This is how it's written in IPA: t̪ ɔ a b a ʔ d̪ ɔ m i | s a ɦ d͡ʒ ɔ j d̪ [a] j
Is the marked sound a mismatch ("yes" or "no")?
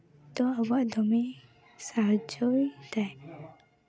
no